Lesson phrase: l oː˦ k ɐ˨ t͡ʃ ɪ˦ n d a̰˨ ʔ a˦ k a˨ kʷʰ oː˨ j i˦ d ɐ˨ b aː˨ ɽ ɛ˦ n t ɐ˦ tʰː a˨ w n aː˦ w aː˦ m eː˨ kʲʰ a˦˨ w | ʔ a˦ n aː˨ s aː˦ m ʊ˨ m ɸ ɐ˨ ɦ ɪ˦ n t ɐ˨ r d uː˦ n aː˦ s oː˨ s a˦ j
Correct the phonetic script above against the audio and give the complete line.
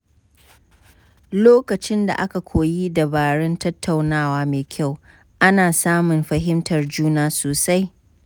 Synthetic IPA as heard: l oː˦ k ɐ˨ t͡ʃ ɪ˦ n d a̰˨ ʔ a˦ k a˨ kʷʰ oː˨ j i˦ d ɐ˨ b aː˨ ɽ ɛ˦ n t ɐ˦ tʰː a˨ w n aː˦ w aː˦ m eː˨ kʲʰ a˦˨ w | ʔ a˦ n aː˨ s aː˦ m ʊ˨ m ɸ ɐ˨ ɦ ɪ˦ m t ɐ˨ r d͡ʒ uː˦ n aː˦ s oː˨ s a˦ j